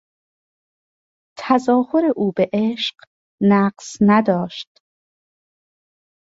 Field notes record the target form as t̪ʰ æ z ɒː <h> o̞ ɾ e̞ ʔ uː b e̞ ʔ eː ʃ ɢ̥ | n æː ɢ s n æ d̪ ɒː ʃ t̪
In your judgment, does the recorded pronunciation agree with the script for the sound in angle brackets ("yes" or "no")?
yes